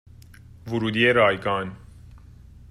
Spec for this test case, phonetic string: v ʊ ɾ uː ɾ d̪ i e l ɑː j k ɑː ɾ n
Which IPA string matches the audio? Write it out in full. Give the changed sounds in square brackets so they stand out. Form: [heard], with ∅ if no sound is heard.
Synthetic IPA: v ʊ ɾ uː [∅] d̪ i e [ɾ] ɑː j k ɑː [∅] n